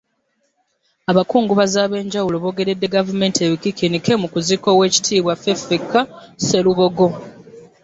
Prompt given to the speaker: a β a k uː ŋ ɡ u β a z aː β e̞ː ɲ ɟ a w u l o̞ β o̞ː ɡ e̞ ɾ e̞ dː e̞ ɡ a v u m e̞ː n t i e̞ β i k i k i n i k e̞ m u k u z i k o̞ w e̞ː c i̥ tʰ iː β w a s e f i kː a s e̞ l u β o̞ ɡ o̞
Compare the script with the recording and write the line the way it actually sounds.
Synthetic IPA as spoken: a β a k uː ŋ ɡ u β a z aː β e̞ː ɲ ɟ a w u l o̞ β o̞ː ɡ e̞ ɾ e̞ dː e̞ ɡ a v u m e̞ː n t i e̞ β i k i k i n i k e̞ m u k u z i k o̞ w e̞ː c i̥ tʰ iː β w a f e f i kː a s e̞ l u β o̞ ɡ o̞